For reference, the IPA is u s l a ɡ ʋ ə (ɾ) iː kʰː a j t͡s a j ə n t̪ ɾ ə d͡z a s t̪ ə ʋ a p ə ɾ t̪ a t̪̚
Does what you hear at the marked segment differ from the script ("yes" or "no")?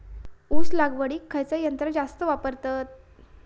yes